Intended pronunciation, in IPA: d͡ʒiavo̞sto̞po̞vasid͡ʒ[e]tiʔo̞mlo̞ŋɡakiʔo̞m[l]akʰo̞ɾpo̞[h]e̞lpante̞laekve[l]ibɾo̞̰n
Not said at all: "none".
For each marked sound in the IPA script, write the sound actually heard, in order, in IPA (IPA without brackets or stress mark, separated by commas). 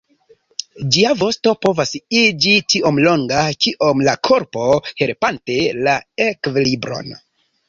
i, l, h, l